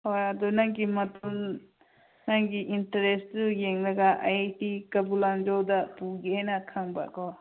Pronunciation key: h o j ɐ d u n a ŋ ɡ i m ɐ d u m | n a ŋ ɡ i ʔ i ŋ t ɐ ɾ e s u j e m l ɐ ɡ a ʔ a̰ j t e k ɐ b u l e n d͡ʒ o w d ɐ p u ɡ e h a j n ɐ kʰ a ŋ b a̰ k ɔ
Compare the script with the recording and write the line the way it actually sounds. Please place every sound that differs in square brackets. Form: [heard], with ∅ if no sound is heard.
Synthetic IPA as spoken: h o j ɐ d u n a ŋ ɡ i m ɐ [t] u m | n a ŋ ɡ i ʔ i [n] t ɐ ɾ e s u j e [ŋ] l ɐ ɡ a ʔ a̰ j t [i] k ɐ b u l [a] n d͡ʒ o w d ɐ p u ɡ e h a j n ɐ kʰ a ŋ b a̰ k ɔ